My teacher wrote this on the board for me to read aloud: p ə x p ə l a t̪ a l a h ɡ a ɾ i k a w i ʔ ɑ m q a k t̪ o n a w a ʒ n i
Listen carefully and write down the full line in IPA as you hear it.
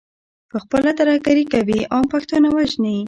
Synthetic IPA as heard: p ə x p ə l a t̪ a ɾ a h ɡ a ɾ i k a w i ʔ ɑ m p a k t̪ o n a w a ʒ n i